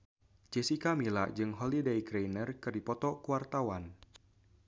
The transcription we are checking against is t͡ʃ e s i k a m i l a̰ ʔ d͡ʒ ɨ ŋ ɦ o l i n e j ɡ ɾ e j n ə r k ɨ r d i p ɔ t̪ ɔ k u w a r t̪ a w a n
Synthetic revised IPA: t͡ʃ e s i k a m i l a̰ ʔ d͡ʒ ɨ ŋ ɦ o l i d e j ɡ ɾ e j n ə r k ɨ r d i p ɔ t̪ ɔ k u w a r t̪ a w a n